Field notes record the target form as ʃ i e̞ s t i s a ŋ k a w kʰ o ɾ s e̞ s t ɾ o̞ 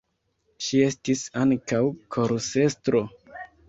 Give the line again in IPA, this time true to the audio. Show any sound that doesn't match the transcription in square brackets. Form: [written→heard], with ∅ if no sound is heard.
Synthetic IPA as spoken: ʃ i e̞ s t i s a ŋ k a w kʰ o ɾ s e̞ s t ɾ o̞

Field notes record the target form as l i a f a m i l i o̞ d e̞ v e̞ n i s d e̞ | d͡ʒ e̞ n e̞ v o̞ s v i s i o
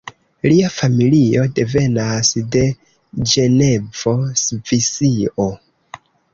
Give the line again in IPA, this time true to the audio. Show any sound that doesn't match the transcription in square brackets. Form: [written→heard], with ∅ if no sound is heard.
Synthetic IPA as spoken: l i a f a m i l i o̞ d e̞ v e̞ n [i→a] s d e̞ | d͡ʒ e̞ n e̞ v o̞ s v i s i o

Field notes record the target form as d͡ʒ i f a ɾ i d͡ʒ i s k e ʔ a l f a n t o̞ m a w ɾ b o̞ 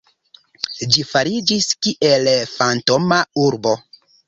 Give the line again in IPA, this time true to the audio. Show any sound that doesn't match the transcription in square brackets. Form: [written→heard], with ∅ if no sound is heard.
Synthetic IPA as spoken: d͡ʒ i f a ɾ i d͡ʒ i s k [e→i] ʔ [a→e] l f a n t o̞ m a [w→u] ɾ b o̞

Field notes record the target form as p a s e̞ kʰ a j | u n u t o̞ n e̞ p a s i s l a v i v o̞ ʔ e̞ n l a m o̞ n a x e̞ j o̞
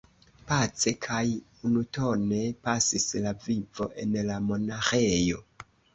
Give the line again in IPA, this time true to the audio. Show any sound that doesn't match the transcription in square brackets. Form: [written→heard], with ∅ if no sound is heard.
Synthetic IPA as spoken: p a [s→t͡s] e̞ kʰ a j | u n u t o̞ n e̞ p a s i s l a v i v o̞ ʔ e̞ n l a m o̞ n a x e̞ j o̞

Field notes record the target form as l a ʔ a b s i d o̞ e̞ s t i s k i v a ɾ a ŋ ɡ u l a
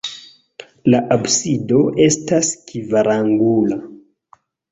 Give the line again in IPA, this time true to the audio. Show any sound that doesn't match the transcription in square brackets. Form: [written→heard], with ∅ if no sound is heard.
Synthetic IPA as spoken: l a ʔ a b s i d o̞ e̞ s t [i→a] s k i v a ɾ a ŋ ɡ u l a

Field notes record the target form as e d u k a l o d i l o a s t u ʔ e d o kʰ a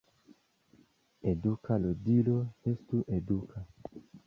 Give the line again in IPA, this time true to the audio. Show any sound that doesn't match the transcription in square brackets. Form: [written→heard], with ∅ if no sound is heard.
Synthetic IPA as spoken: e d u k a l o d i l o [a→e] s t u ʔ e d [o→u] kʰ a

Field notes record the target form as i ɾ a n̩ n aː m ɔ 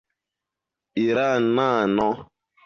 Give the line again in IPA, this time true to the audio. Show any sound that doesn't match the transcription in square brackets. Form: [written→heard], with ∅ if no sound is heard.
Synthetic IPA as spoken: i ɾ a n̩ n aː [m→n] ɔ

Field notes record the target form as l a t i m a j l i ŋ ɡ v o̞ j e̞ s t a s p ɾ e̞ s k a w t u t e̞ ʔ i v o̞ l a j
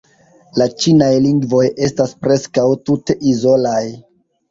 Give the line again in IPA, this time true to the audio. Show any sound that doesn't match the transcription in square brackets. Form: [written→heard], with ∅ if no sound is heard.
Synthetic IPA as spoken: l a [t→t͡ʃ] i [m→n] a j l i ŋ ɡ v o̞ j e̞ s t a s p ɾ e̞ s k a w t u t e̞ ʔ i [v→z] o̞ l a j

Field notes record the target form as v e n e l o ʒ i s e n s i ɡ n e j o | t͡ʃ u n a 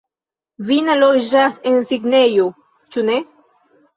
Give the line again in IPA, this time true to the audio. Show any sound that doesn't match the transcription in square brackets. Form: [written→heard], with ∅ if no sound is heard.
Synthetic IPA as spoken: v [e→i] n [e→a] l o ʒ [i→a] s e n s i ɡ n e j o | t͡ʃ u n [a→e]

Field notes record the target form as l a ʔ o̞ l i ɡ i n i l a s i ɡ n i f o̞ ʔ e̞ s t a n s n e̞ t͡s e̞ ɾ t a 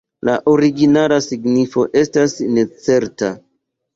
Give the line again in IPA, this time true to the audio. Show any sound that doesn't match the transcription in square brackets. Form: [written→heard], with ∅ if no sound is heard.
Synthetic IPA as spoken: l a ʔ o̞ [l→ɾ] i ɡ i n [i→a] l a s i ɡ n i f o̞ ʔ e̞ s t a [n→∅] s n e̞ t͡s e̞ ɾ t a

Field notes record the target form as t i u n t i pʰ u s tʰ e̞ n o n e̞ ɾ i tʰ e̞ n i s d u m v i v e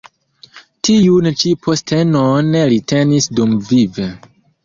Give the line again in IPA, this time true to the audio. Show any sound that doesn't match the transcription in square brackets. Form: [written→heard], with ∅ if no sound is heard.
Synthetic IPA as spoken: t i u n [t→t͡ʃ] i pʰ [u→o] s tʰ e̞ n o n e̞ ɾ i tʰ e̞ n i s d u m v i v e

